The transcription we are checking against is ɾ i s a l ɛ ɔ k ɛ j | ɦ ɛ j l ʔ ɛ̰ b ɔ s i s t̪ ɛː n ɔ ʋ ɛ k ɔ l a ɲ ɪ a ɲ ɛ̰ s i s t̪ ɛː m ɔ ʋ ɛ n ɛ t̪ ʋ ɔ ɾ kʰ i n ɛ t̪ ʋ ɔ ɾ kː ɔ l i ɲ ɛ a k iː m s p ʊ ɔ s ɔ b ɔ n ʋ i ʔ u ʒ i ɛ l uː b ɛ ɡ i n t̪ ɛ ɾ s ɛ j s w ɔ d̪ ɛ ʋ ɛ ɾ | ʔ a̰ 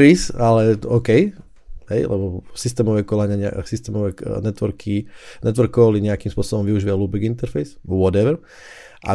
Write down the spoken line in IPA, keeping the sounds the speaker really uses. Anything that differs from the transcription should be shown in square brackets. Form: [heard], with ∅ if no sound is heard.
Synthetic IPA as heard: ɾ i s a l ɛ ɔ k ɛ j | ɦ ɛ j l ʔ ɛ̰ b ɔ s i s t̪ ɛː [m] ɔ ʋ ɛ k ɔ l a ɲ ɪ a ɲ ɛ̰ s i s t̪ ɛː m ɔ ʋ ɛ n ɛ t̪ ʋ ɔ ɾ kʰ i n ɛ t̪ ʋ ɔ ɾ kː ɔ l i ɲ ɛ a k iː m s p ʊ ɔ s ɔ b ɔ [m] ʋ i [∅] u ʒ i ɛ l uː b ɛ ɡ i n t̪ ɛ ɾ [f] ɛ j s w ɔ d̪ ɛ ʋ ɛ ɾ | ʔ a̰